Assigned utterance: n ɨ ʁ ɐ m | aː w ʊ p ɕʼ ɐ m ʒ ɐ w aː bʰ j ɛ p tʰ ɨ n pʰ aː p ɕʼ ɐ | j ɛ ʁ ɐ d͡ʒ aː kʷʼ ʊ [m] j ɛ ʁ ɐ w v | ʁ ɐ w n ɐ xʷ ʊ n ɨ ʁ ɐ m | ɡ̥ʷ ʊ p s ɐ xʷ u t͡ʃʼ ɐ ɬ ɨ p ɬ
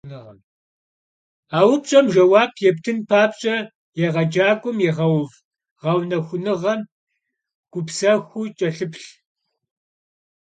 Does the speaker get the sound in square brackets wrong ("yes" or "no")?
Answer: no